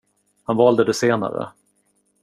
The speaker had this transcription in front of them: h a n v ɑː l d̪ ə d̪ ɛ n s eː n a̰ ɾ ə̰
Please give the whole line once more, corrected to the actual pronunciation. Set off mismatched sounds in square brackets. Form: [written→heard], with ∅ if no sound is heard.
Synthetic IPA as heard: h a n v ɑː l d̪ ə d̪ ɛ [n→∅] s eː n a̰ ɾ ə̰

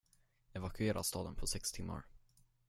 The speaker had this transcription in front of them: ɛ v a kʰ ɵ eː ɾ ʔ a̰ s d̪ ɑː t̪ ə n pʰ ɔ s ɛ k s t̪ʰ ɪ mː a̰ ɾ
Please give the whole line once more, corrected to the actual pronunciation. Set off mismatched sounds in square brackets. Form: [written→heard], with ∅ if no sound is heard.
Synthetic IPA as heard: ɛ v a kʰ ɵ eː ɾ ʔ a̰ s [d̪→t̪] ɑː [t̪→d̪] ə n pʰ ɔ s ɛ k s t̪ʰ ɪ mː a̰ ɾ

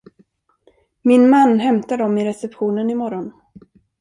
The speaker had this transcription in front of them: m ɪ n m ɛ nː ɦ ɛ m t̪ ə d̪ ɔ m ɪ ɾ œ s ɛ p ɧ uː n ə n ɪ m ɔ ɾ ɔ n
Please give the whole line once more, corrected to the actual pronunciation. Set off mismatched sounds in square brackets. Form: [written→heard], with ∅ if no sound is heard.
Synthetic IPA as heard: m ɪ n m [ɛ→a] nː ɦ ɛ m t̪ [ə→a] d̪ ɔ m ɪ ɾ [œ→ɛ] s ɛ p ɧ uː n ə n ɪ m ɔ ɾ ɔ n

